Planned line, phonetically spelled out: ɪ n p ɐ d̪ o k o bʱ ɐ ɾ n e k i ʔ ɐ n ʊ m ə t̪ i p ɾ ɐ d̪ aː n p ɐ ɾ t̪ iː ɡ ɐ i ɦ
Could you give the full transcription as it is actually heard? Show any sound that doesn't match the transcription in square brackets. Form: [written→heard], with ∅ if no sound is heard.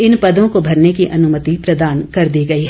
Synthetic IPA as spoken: ɪ n p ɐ d̪ [o→õ] k o bʱ ɐ ɾ n e k i ʔ ɐ n ʊ m ə t̪ i p ɾ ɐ d̪ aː n [p→k] ɐ ɾ [t̪→d̪] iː ɡ ɐ i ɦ